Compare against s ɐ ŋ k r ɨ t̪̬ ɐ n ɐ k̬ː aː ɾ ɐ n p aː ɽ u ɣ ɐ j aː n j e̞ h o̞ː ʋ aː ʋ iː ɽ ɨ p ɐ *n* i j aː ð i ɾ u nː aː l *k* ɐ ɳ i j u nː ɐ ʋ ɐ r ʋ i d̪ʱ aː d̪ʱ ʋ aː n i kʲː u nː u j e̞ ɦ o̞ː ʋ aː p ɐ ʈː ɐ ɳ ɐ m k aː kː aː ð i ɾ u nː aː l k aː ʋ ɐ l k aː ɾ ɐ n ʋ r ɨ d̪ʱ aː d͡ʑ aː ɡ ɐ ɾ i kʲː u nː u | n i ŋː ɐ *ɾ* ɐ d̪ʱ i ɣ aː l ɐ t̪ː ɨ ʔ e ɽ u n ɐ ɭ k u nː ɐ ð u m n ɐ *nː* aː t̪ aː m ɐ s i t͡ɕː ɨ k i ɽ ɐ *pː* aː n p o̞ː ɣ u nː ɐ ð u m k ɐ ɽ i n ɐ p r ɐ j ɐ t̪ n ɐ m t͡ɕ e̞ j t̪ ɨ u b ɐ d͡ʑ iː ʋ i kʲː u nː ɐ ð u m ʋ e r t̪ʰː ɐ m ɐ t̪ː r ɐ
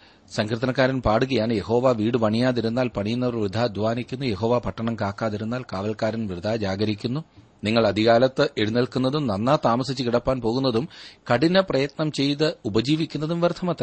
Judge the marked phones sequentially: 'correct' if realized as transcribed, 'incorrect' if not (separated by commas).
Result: incorrect, incorrect, incorrect, correct, correct